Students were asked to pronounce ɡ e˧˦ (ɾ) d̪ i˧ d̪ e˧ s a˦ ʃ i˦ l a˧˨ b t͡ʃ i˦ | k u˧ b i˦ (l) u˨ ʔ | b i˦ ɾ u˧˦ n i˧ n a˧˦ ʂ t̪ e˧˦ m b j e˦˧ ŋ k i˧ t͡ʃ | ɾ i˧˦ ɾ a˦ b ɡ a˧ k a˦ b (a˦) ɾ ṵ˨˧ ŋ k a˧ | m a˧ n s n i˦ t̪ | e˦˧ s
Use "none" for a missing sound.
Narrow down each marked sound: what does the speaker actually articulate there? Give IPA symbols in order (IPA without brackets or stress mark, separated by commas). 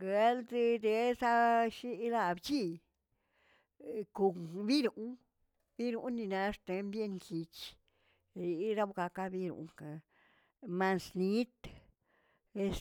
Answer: l, ɾ, i˦